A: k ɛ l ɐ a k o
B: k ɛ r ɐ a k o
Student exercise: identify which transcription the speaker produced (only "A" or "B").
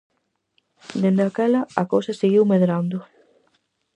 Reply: A